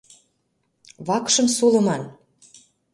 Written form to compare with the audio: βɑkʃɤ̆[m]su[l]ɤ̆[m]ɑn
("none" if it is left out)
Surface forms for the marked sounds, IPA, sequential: m, l, m

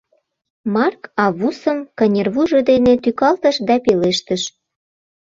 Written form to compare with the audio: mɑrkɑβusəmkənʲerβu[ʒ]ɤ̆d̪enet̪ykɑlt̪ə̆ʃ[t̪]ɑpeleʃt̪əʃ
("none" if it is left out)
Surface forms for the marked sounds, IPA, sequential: ʒ, d̪

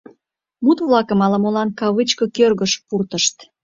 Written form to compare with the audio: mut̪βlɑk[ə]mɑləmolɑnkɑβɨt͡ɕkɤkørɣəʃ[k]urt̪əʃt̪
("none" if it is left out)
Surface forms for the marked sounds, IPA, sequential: ə, p

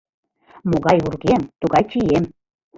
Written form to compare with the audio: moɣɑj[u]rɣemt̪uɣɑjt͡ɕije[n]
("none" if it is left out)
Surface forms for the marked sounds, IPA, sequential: u, m

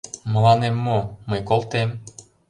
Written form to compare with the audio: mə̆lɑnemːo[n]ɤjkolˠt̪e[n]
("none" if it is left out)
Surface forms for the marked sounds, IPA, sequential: m, m

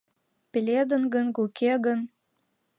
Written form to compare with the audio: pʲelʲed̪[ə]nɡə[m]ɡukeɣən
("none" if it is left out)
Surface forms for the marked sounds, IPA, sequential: ə, n

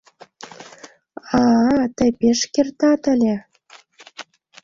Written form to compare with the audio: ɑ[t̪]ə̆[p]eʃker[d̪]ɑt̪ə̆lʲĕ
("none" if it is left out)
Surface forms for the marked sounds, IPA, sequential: t̪, p, t̪

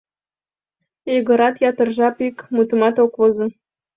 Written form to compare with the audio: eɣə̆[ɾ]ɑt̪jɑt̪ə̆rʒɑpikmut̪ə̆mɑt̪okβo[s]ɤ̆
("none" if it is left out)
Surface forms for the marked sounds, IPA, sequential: ɾ, z

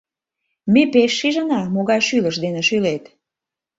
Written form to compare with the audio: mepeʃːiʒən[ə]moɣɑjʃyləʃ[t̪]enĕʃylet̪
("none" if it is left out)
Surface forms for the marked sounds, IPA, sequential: ɑ, d̪

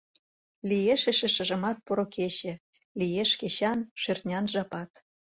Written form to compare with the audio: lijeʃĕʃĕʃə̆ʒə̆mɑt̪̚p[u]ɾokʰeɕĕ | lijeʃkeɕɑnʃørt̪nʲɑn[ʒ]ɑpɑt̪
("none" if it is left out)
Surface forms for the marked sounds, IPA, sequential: o, ʒ

